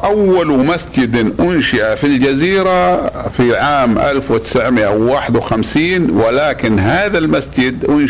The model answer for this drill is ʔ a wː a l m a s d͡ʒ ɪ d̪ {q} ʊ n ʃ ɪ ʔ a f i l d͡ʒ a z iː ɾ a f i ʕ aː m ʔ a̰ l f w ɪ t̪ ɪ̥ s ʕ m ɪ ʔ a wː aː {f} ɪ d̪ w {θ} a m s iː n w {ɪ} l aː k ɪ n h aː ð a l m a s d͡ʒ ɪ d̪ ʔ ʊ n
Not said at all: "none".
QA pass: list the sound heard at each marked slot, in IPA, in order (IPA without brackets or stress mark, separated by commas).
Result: ʔ, ħ, x, ɪ